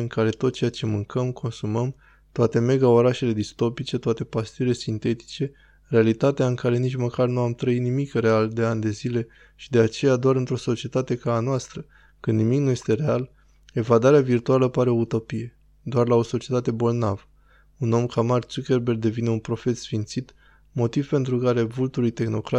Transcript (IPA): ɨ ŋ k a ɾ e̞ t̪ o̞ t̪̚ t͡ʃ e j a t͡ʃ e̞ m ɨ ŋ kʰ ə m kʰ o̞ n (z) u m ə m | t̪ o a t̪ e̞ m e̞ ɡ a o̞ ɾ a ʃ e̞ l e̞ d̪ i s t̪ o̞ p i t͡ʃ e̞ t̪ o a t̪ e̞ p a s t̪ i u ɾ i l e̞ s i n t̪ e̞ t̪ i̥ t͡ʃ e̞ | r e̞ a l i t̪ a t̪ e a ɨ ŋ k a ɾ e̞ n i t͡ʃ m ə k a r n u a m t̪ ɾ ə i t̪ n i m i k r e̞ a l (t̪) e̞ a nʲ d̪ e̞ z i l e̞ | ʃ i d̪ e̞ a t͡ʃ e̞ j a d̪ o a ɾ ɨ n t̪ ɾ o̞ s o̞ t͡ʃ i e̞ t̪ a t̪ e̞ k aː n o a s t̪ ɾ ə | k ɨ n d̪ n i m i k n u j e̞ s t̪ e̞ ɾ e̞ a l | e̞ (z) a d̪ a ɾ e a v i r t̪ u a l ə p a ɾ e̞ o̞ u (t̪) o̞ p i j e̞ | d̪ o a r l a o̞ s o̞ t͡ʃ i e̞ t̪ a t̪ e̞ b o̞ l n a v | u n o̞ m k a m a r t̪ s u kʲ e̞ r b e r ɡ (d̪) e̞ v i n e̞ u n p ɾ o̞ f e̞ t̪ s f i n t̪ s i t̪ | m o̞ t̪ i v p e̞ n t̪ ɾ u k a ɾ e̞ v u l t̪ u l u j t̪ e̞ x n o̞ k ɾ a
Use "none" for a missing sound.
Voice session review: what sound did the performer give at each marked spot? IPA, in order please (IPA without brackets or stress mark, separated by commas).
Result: s, d̪, v, t̪, d̪